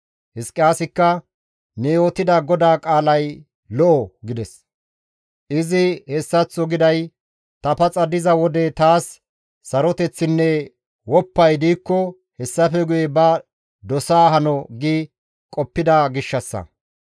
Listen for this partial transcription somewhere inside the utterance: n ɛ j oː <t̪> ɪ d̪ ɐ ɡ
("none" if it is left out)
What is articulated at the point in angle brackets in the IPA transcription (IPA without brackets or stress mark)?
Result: t̪